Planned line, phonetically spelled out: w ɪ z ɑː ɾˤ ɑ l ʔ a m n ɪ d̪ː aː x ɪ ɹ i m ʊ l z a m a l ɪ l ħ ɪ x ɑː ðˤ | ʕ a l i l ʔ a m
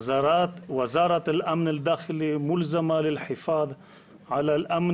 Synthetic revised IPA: w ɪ z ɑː ɾˤ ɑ l ʔ a m n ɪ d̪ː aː x ɪ l i m ʊ l z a m a l ɪ l ħ ɪ f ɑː ðˤ | ʕ a l a l ʔ a m